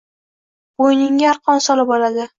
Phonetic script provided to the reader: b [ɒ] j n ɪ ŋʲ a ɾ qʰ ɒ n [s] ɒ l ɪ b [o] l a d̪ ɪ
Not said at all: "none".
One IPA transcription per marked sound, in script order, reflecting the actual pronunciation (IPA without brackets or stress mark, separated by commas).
o, s, ɒ